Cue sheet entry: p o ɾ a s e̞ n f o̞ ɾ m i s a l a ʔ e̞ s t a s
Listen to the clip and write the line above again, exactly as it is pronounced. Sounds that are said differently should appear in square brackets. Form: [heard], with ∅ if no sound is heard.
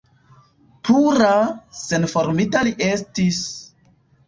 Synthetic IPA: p [u] ɾ a s e̞ n f o̞ ɾ m i [t] a l [i] ʔ e̞ s t [i] s